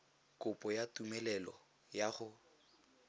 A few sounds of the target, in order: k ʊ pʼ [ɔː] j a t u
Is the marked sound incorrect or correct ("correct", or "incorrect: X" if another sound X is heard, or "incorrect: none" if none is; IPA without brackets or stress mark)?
incorrect: ɔ